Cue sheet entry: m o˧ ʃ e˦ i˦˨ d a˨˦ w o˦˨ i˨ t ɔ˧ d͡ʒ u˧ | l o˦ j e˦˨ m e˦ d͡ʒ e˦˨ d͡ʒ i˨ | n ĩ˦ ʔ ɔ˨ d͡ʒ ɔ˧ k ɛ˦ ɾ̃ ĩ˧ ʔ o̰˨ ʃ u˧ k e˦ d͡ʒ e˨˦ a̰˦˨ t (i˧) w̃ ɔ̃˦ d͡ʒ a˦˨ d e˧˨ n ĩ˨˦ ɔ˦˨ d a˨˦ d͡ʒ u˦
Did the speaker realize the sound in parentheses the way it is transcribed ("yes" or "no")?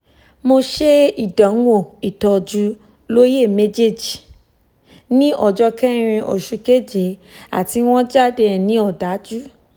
yes